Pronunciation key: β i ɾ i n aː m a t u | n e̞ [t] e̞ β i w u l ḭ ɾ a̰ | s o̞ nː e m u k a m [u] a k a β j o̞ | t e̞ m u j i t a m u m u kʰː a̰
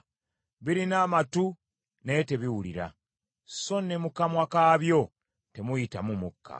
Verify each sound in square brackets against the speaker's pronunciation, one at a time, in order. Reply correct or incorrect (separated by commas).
correct, incorrect